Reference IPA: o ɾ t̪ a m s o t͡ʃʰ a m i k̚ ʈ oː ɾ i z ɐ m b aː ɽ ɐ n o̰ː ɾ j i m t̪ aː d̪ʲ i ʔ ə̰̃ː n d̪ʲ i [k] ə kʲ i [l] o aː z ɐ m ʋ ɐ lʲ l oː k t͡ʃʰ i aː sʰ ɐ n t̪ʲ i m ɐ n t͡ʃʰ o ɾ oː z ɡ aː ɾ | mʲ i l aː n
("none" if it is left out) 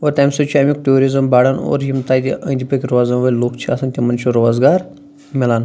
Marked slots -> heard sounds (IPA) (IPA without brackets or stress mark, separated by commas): p, ɾ